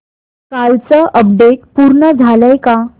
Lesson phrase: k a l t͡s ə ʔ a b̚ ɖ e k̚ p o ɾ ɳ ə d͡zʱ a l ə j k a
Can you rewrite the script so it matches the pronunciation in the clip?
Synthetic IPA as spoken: k a l t͡s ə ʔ ə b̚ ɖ e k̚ p u ɾ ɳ ə d͡zʱ a l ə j k a